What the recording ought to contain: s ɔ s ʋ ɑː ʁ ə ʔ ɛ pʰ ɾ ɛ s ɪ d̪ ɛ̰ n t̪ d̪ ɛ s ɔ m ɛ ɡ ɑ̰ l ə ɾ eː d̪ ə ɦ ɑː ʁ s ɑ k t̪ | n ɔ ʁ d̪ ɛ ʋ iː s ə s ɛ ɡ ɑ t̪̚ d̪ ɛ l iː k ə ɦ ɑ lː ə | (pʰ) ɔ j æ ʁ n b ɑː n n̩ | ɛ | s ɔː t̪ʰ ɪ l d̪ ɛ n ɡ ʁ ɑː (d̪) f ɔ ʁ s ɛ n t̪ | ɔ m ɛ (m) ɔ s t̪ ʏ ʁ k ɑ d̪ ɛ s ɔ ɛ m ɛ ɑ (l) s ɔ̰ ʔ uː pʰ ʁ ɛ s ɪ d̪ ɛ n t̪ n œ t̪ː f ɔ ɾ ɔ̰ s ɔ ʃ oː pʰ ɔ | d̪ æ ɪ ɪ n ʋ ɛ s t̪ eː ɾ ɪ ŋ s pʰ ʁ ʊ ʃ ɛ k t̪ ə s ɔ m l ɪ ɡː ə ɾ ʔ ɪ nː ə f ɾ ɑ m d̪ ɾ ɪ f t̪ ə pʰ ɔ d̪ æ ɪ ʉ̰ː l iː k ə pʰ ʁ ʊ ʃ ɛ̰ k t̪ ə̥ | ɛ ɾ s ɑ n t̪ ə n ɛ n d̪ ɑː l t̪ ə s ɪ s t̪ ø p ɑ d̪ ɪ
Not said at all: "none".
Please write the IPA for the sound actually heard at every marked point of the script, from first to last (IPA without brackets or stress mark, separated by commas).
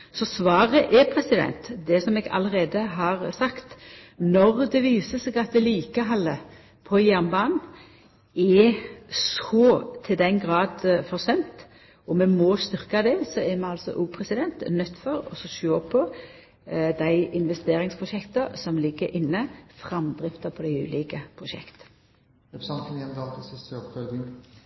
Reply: pʰ, d̪, m, l